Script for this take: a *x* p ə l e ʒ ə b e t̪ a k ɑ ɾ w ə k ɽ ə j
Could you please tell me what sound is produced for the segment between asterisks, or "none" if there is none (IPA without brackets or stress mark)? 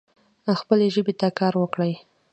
x